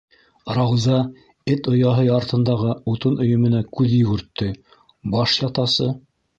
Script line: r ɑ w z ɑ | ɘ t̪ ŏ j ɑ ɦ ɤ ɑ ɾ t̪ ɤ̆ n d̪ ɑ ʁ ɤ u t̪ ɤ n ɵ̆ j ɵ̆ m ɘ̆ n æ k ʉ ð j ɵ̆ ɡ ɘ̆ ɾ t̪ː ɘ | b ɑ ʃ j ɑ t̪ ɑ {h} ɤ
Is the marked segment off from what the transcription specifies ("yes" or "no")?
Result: yes